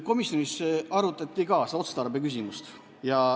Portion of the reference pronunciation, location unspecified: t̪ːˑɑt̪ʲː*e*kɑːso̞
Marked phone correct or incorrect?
incorrect